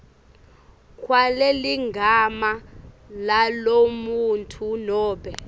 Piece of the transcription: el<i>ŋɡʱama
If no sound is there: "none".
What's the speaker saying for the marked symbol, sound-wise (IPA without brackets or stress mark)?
i